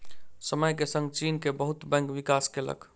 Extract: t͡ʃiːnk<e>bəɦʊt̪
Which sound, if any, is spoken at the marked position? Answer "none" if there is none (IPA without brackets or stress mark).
e